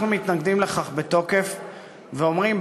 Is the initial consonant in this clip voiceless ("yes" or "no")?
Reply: no